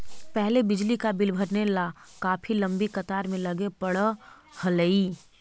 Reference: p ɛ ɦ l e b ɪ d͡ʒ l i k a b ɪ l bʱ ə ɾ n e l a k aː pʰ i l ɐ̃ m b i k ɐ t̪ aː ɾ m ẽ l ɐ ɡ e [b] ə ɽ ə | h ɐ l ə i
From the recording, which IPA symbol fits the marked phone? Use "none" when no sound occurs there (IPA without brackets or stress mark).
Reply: p